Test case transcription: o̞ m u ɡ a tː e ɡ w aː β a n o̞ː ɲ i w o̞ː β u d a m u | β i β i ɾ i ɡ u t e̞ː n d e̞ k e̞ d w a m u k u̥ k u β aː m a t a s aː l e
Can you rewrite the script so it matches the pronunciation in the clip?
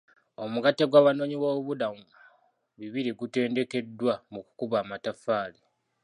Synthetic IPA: o̞ m u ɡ a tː e ɡ w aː β a n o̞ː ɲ i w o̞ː β u d a m u | β i β i ɾ i ɡ u t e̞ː n d e̞ k e̞ d w a m u k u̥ k u β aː m a t a f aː l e